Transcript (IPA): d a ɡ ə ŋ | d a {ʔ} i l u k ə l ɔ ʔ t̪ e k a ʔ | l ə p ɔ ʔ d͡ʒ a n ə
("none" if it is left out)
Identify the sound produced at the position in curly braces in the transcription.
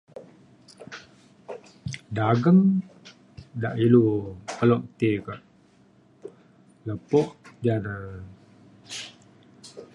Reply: ʔ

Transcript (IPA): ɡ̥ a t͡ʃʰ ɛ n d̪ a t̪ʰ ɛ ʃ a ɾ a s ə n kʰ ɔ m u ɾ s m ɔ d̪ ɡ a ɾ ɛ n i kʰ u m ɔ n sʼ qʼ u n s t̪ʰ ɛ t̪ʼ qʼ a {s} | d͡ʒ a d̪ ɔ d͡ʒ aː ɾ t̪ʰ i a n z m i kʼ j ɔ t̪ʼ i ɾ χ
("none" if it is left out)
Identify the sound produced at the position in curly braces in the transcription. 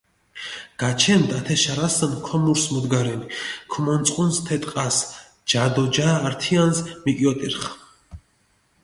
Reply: s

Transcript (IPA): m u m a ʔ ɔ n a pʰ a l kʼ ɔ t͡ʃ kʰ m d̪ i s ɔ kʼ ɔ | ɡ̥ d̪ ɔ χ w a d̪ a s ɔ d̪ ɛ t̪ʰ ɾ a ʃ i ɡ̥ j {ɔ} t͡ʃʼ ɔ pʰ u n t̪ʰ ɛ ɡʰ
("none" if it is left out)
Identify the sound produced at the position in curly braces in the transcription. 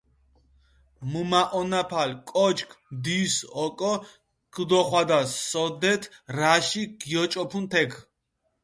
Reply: ɔ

